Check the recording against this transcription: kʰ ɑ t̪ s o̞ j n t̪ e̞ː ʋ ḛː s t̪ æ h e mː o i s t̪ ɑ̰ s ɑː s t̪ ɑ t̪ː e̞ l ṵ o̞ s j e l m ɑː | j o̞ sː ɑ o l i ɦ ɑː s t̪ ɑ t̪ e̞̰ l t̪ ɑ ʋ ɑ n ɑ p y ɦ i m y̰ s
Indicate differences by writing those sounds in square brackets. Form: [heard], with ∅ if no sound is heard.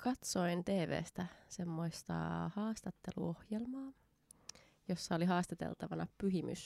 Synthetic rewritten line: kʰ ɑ t̪ s o̞ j n t̪ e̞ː ʋ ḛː s t̪ æ [s] e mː o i s t̪ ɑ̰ [h] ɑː s t̪ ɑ t̪ː e̞ l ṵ o̞ [h] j e l m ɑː | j o̞ sː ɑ o l i ɦ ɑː s t̪ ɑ t̪ e̞̰ l t̪ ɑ ʋ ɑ n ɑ p y ɦ i m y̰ s